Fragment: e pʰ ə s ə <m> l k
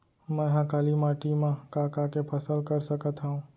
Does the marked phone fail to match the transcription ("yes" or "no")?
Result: yes